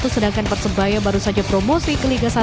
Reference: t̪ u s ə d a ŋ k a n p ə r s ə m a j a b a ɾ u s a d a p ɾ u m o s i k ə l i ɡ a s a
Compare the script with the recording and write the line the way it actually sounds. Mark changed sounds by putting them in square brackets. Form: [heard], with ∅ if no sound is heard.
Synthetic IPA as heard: t̪ u s ə d a ŋ k a n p ə r s ə [b] a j a b a ɾ u s a [d͡ʒ] a p ɾ [o] m o s i k ə l i ɡ a s a